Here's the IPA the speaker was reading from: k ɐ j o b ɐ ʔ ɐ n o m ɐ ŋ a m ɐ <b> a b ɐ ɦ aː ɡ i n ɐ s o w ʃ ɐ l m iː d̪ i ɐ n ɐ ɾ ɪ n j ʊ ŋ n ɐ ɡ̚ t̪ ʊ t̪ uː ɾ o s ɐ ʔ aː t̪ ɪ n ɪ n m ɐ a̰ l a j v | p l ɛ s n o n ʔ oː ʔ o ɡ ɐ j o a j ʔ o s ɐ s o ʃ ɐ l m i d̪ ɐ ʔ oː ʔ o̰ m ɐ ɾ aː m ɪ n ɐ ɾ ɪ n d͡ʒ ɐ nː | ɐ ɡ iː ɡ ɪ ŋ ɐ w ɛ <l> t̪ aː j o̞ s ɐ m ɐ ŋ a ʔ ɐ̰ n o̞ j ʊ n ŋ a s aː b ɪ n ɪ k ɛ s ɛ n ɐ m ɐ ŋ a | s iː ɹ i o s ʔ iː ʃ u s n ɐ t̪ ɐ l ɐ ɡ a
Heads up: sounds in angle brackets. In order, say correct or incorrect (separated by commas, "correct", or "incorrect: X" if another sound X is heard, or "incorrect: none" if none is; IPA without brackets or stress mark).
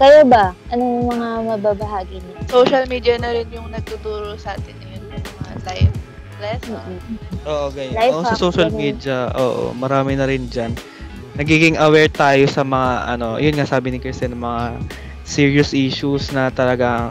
correct, incorrect: ɹ